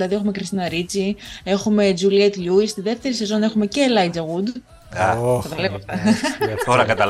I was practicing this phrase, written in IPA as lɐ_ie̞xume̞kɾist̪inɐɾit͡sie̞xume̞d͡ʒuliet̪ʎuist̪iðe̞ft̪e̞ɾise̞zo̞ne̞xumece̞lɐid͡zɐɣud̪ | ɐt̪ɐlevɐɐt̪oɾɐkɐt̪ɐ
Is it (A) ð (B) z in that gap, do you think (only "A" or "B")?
A